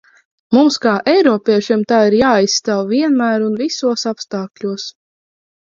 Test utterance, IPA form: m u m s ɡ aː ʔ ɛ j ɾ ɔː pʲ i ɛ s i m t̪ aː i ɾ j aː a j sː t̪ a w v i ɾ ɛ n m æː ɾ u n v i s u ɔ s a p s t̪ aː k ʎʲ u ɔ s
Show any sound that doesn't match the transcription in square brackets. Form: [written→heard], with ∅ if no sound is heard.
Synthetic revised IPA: m u m s [ɡ→k] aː ʔ ɛ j ɾ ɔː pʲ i ɛ [s→ʃ] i m t̪ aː i ɾ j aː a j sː t̪ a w v i [ɾ→∅] ɛ n m æː ɾ u n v i s u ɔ s a p s t̪ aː k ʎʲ u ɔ s